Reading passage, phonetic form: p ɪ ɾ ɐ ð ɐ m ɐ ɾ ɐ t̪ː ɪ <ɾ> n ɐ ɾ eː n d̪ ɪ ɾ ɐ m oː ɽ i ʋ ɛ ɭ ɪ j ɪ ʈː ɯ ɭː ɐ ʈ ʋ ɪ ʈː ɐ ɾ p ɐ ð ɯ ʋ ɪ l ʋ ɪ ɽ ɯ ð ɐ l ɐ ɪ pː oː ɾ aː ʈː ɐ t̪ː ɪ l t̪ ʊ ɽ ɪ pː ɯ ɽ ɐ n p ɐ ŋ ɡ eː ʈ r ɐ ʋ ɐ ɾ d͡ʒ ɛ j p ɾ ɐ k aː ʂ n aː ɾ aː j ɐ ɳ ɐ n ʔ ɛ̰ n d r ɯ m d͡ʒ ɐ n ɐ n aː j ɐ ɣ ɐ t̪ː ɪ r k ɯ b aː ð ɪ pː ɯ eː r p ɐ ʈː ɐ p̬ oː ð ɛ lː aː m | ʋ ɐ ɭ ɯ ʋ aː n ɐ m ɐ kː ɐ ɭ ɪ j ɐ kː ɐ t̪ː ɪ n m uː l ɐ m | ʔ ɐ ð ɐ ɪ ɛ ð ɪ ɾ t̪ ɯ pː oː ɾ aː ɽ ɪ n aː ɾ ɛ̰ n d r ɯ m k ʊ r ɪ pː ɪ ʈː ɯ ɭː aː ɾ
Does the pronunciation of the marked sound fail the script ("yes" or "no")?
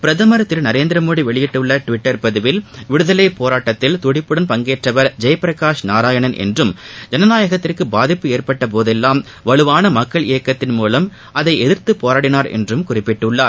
yes